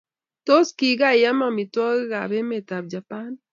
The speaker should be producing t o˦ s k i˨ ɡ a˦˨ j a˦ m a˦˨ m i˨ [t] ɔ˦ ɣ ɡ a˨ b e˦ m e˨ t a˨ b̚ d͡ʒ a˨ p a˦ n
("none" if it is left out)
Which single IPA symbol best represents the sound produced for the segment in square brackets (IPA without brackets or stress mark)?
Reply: t